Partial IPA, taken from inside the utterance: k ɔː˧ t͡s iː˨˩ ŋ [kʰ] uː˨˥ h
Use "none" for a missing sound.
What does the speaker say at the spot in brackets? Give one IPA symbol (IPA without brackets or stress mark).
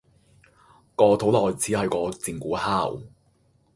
k